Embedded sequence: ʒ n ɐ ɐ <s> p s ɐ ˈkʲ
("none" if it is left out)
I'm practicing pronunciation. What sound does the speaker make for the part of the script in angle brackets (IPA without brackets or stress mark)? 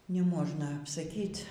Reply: none